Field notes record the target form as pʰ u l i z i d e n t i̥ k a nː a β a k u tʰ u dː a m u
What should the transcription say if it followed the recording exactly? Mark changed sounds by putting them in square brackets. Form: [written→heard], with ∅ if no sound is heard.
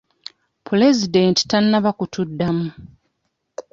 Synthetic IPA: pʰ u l [i→e] z i d e n t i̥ [k→t] a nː a β a k u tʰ u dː a m u